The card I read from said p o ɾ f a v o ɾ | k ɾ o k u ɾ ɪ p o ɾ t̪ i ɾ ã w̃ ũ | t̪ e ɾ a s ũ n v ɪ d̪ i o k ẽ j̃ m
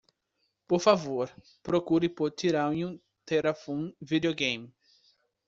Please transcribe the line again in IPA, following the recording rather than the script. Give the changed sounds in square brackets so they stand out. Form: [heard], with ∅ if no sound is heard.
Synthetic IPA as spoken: p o ɾ f a v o ɾ | [p] ɾ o k u ɾ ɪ p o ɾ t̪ i ɾ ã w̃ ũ | t̪ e ɾ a [f] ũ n v [i] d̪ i o [ɡ] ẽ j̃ m